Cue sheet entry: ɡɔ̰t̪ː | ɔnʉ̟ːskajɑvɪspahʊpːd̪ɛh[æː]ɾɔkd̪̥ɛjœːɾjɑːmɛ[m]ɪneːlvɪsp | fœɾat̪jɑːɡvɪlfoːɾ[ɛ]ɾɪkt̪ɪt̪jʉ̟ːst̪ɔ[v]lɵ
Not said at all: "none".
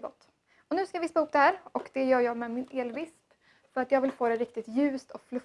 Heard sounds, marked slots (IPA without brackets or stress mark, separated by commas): æː, m, ɛ, f